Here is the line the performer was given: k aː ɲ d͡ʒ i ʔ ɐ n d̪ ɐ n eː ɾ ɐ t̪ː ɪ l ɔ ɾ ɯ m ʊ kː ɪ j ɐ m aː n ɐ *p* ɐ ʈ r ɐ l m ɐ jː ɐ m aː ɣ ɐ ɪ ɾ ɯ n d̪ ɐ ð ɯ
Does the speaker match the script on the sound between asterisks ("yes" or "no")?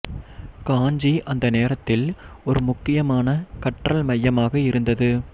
no